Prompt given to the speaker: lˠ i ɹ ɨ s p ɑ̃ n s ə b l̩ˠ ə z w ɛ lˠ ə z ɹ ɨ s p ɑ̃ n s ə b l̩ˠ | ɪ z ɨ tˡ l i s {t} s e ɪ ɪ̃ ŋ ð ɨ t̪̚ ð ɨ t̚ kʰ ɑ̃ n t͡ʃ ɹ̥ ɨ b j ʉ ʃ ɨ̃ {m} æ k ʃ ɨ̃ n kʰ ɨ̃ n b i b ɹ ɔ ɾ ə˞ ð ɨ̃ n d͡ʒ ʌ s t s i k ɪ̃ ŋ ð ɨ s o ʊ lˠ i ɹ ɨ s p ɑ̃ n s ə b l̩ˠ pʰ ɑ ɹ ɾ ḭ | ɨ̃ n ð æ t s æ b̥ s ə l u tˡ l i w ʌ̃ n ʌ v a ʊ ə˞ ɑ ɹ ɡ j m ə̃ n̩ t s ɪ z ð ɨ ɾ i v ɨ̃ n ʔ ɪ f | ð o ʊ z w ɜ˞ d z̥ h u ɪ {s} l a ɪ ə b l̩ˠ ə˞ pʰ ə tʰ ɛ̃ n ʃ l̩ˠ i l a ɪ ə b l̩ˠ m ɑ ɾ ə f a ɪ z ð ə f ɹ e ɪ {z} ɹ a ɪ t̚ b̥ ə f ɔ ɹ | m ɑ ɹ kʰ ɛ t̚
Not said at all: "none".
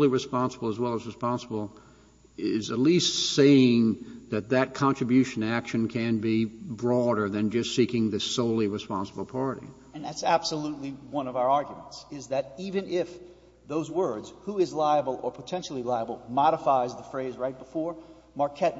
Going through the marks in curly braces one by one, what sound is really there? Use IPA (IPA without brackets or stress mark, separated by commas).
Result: t, n, z, z